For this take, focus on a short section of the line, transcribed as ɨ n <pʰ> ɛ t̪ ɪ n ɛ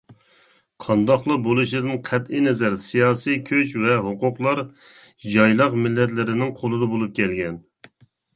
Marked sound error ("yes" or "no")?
yes